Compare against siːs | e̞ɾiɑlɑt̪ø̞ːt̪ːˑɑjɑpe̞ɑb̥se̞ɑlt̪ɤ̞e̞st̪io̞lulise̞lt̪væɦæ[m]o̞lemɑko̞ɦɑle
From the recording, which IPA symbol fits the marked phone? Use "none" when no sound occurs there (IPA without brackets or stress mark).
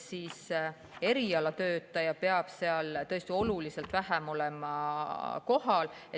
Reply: m